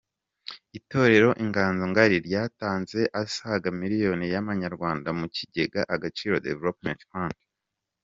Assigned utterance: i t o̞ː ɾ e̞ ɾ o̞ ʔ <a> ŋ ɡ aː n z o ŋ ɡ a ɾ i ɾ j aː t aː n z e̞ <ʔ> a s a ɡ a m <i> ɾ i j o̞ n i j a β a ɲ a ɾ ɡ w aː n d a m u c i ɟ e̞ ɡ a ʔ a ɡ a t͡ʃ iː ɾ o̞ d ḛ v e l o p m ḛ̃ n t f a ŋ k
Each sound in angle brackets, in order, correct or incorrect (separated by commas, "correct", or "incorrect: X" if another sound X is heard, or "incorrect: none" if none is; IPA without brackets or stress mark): incorrect: i, correct, correct